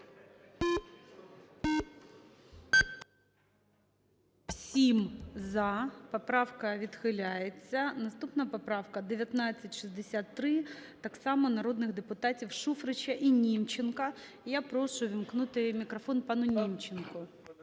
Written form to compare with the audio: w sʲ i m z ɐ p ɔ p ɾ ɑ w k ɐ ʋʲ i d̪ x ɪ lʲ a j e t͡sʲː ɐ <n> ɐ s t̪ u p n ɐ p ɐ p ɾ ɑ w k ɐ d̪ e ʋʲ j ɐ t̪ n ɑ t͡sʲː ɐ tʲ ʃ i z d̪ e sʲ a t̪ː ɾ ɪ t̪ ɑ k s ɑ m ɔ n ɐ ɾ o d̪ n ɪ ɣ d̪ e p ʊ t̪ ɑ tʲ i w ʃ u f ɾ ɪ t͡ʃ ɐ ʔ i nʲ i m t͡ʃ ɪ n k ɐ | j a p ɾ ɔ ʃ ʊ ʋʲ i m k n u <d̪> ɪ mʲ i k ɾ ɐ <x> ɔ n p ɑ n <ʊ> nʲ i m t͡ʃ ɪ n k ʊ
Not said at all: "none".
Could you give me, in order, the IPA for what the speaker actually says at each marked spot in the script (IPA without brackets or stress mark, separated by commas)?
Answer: n, t̪, f, ʊ